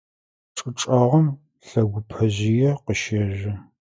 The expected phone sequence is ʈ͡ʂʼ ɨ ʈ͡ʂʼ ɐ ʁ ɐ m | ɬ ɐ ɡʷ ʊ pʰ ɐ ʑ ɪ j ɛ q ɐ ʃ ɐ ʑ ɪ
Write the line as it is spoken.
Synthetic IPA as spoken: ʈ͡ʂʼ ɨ ʈ͡ʂʼ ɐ ʁ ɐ m | ɬ ɐ ɡʷ ʊ pʰ ɐ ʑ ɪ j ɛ q ə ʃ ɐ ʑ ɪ